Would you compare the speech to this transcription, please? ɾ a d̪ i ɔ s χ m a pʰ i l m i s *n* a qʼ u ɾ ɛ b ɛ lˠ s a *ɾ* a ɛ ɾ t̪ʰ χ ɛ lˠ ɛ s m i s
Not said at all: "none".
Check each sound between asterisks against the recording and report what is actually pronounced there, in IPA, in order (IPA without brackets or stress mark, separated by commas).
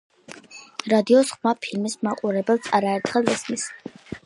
m, ɾ